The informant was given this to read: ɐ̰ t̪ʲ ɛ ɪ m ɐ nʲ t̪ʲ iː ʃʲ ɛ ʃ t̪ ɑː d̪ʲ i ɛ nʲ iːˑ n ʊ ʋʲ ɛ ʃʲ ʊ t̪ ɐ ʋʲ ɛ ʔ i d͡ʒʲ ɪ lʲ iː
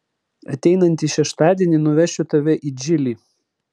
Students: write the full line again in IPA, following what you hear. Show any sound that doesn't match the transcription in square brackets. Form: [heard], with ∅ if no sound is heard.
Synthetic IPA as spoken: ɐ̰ t̪ʲ ɛ ɪ [n] ɐ nʲ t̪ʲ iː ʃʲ ɛ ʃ t̪ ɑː d̪ʲ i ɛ nʲ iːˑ n ʊ ʋʲ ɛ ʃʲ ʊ t̪ ɐ ʋʲ ɛ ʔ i d͡ʒʲ ɪ lʲ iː